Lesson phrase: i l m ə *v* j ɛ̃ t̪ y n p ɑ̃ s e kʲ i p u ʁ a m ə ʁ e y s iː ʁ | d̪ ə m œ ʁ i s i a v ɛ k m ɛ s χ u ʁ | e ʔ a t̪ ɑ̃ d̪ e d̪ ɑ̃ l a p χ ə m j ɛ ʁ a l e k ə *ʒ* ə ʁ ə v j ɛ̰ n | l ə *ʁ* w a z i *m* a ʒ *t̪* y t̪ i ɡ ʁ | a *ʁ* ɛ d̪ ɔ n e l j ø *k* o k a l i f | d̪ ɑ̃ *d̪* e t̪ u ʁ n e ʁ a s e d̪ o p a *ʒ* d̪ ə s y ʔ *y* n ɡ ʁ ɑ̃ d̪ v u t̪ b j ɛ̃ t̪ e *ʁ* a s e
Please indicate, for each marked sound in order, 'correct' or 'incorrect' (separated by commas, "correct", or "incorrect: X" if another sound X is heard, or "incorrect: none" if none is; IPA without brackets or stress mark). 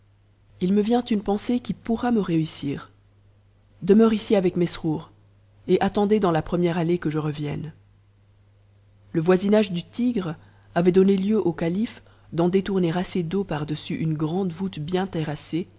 correct, correct, incorrect: v, incorrect: n, incorrect: d̪, incorrect: v, incorrect: ʔ, correct, incorrect: ʁ, correct, correct